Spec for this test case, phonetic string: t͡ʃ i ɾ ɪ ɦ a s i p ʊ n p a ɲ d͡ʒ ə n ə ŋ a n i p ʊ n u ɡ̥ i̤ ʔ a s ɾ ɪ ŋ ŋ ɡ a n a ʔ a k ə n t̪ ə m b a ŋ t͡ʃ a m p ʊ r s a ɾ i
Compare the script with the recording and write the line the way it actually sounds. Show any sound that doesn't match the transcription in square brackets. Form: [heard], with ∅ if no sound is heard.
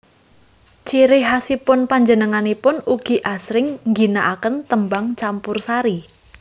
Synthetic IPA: t͡ʃ i ɾ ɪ ɦ a s i p ʊ n p a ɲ d͡ʒ ə n ə ŋ a n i p ʊ n u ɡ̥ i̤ ʔ a s ɾ ɪ ŋ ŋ ɡ [i] n a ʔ a k ə n t̪ ə m b a ŋ t͡ʃ a m p ʊ r s a ɾ i